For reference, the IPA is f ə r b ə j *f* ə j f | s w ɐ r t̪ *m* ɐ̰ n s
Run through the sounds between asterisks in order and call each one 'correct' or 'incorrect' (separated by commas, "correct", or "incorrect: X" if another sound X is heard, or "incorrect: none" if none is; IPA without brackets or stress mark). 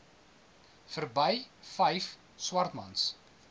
correct, correct